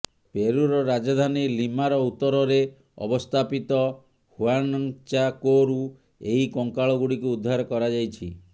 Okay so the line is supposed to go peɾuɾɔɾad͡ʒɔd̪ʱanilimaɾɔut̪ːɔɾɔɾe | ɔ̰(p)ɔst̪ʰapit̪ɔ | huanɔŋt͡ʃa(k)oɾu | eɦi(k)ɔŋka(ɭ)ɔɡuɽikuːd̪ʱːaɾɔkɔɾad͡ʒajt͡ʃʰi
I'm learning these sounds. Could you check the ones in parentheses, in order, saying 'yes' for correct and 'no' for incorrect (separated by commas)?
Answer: no, yes, yes, yes